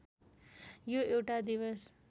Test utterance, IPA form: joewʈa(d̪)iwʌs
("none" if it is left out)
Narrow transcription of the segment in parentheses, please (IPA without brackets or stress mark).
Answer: d̪